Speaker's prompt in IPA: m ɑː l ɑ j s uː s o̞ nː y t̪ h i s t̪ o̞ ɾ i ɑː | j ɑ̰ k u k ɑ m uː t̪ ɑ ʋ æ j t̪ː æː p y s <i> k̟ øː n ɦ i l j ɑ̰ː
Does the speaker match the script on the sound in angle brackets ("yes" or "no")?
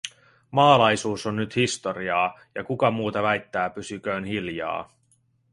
no